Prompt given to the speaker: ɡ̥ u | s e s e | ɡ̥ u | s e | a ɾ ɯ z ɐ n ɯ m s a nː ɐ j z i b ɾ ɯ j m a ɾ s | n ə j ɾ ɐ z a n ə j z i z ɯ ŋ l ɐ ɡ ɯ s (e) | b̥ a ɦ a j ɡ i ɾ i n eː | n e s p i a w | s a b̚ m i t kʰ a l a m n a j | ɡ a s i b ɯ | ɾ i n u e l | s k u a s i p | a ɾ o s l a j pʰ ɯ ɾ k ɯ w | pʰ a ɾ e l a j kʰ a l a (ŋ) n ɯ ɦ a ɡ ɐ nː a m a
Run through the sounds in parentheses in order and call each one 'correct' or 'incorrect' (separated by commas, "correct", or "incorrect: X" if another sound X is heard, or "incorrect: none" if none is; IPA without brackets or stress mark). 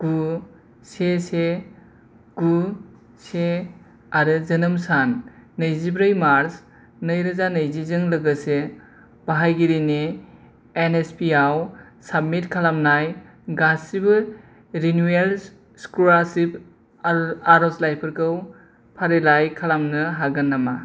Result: correct, incorrect: m